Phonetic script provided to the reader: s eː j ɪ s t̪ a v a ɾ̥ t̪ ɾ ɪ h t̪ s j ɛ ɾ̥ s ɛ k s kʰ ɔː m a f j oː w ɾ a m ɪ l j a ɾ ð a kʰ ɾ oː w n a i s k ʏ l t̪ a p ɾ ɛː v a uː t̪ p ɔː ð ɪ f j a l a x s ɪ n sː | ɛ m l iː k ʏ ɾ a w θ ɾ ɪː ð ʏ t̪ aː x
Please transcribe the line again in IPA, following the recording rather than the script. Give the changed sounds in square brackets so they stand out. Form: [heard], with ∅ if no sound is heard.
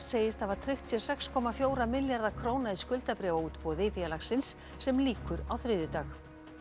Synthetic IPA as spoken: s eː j ɪ s t̪ a v a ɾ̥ [t̪ʰ] ɾ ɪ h t̪ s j ɛ ɾ̥ s ɛ k s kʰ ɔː m a f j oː w ɾ a m ɪ l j a ɾ ð a kʰ ɾ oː w n a i s k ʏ l t̪ a p ɾ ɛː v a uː t̪ p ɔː ð ɪ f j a l a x s ɪ n sː | ɛ m l iː k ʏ ɾ a w θ ɾ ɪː ð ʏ t̪ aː x